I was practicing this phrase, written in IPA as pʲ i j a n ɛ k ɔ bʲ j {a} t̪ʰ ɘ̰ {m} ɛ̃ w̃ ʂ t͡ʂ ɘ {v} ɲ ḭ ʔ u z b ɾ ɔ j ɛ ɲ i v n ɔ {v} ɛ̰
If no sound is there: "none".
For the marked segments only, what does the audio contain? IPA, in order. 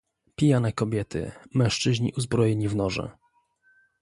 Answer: ɛ, m, ʑ, ʐ

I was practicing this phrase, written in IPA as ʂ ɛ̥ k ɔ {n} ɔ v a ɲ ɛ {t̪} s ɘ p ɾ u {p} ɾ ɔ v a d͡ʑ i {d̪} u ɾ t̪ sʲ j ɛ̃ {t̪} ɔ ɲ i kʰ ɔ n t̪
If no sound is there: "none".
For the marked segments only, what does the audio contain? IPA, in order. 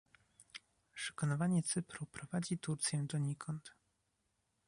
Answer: n, t̪, p, t̪, d̪

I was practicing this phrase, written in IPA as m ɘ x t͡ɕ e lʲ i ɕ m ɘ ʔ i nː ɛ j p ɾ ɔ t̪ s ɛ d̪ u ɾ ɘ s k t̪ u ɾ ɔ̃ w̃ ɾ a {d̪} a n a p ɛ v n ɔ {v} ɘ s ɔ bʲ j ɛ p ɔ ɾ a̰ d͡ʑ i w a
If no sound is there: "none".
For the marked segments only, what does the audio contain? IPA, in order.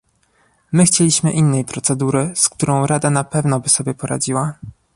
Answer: d̪, b

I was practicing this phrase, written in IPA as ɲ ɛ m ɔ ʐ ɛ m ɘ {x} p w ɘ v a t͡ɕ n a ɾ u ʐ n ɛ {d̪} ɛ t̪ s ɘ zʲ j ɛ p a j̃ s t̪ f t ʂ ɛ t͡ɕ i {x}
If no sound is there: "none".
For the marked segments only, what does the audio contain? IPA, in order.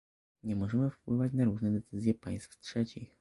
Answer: f, d̪, x

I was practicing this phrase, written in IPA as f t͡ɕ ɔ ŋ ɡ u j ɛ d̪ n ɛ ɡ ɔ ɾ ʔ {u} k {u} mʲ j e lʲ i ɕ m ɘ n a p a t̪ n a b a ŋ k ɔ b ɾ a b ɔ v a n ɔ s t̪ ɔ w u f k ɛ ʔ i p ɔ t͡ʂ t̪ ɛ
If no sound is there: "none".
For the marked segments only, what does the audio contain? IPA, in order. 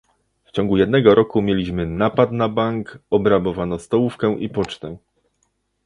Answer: ɔ, u

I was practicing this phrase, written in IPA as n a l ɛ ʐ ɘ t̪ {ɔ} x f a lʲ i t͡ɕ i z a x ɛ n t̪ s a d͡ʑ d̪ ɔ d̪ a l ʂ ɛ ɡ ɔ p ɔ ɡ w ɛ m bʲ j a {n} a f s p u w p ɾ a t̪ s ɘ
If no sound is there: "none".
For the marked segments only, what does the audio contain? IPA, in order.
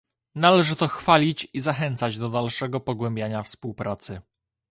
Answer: ɔ, ɲ

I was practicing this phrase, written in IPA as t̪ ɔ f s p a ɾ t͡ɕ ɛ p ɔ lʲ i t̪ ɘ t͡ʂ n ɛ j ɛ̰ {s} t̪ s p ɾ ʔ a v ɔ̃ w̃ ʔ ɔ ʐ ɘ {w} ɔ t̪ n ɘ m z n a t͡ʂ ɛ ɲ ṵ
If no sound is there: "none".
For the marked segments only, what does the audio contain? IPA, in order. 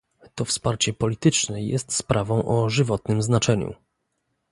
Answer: s, v

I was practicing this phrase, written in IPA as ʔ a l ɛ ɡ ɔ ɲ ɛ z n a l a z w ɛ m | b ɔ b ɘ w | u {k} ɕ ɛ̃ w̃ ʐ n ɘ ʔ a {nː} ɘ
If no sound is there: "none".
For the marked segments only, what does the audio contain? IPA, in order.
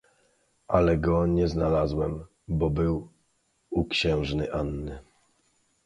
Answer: k, nː

